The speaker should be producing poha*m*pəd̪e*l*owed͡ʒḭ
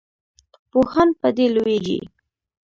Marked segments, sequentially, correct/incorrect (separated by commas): incorrect, correct